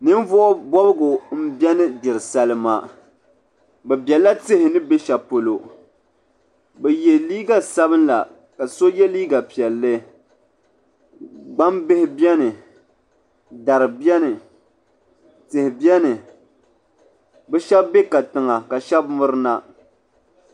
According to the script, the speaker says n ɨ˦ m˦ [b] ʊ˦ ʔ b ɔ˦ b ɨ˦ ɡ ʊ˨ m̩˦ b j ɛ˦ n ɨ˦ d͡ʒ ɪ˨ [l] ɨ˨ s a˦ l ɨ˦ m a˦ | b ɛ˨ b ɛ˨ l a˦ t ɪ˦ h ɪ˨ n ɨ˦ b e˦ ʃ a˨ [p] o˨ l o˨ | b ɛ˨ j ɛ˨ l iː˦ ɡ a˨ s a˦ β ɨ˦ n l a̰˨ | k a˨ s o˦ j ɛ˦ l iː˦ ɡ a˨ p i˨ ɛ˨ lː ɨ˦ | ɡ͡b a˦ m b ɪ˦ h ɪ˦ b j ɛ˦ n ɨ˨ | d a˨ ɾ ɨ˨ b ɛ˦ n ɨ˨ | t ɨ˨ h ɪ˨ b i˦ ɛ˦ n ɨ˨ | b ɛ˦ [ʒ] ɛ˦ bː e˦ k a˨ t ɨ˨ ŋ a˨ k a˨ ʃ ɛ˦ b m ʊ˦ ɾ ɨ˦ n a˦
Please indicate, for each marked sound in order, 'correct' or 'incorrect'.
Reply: incorrect, incorrect, correct, incorrect

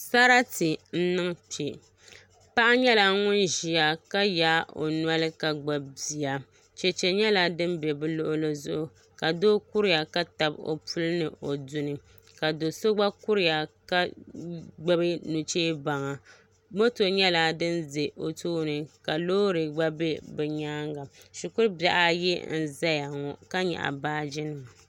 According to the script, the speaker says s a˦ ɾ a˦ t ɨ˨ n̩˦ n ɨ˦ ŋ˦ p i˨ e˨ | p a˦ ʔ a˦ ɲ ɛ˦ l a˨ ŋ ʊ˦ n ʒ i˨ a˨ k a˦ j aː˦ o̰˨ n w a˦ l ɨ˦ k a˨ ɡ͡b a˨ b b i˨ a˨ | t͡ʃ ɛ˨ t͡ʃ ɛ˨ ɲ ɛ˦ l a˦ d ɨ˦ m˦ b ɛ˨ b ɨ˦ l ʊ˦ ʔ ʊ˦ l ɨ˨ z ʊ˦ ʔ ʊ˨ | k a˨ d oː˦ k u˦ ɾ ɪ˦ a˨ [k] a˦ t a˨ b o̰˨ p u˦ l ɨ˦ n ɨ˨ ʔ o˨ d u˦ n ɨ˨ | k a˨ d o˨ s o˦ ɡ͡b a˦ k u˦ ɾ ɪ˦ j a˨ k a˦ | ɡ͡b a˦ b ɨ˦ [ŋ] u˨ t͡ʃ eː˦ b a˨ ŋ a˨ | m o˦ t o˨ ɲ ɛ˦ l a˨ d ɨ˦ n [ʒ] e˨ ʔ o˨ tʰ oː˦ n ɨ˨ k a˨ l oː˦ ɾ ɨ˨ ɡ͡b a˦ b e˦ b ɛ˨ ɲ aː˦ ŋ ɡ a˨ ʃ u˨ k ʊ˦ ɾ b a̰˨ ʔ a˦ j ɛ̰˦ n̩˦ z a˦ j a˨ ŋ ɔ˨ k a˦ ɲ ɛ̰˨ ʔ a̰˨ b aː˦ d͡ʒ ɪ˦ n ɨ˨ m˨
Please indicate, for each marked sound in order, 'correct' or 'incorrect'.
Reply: correct, incorrect, incorrect

